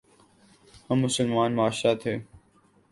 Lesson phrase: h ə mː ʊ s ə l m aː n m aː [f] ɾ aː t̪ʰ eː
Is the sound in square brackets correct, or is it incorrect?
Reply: incorrect